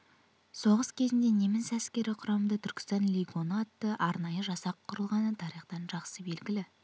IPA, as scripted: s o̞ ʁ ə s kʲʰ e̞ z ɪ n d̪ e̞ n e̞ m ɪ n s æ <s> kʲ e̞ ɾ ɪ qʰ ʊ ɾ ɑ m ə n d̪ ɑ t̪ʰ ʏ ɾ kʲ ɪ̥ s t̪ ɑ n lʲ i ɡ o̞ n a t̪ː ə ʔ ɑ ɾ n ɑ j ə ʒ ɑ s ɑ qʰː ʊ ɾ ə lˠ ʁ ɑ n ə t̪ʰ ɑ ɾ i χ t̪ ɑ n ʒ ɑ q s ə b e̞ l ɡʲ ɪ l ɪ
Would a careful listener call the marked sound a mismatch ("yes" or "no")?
no